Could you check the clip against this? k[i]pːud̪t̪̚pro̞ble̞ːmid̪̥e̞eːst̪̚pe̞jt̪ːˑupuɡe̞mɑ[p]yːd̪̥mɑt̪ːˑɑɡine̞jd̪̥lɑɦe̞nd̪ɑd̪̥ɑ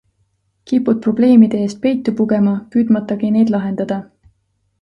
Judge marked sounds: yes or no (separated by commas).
yes, yes